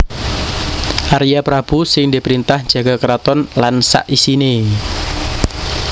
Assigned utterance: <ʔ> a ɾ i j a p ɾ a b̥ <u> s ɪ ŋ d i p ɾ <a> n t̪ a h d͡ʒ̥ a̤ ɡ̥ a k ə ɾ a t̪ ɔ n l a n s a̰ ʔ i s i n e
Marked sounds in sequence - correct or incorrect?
correct, correct, incorrect

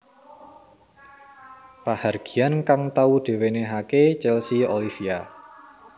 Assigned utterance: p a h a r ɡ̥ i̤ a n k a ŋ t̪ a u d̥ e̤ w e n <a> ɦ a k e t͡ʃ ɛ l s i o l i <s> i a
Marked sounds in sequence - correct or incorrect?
incorrect, incorrect

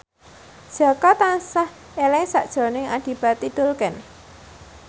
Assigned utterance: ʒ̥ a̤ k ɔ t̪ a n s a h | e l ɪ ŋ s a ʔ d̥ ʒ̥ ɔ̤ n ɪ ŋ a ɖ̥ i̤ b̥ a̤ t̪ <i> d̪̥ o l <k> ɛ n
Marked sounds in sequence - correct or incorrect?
correct, correct

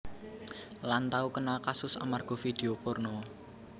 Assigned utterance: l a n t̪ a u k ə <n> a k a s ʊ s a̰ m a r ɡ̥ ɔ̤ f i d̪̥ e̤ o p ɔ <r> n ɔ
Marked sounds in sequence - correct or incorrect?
correct, correct

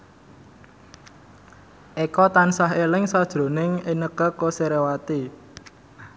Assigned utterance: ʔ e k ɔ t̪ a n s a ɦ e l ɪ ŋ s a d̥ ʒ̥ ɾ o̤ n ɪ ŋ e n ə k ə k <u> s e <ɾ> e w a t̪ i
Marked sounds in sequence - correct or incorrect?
incorrect, correct

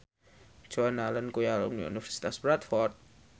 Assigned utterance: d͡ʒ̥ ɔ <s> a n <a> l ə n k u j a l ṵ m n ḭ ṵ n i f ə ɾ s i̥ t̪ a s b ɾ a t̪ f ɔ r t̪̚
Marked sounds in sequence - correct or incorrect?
incorrect, correct

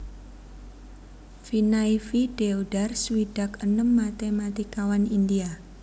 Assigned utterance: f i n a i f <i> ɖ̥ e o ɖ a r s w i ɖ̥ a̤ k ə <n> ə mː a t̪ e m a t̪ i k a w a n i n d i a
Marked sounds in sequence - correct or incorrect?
correct, correct

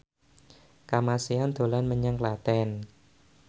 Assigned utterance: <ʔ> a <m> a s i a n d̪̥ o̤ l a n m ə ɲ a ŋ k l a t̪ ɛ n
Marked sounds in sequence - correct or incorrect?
incorrect, correct

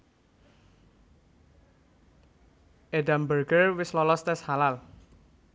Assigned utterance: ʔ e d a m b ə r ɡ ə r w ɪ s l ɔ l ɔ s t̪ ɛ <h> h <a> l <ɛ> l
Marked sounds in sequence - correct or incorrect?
incorrect, correct, incorrect

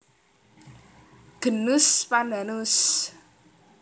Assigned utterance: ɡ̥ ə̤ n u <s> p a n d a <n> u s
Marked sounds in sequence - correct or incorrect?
correct, correct

